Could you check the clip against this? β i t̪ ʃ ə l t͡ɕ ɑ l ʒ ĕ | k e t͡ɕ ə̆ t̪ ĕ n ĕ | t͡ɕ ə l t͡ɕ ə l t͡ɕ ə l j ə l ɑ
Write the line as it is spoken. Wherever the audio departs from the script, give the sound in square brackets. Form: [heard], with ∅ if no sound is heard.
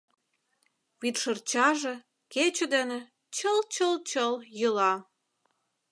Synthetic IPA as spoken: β i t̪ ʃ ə [r] t͡ɕ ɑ [∅] ʒ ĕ | k e t͡ɕ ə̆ [d̪] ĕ n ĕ | t͡ɕ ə l t͡ɕ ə l t͡ɕ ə l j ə l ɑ